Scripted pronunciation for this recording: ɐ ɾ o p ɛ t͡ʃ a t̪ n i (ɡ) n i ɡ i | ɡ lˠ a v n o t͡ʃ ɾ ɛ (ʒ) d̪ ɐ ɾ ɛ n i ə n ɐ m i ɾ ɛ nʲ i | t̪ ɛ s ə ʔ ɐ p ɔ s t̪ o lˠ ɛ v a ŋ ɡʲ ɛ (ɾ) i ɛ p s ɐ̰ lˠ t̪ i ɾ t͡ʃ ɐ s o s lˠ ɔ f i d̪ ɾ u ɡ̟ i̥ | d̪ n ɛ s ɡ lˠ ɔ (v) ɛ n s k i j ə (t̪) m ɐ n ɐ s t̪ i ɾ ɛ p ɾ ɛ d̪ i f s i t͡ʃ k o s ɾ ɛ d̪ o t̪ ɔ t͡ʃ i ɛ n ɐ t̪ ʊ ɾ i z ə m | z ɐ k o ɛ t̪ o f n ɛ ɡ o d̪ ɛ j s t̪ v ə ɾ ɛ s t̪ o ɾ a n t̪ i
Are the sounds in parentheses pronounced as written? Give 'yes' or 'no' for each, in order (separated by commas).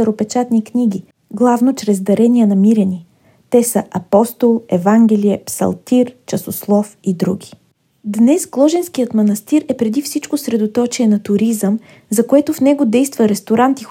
no, no, no, no, yes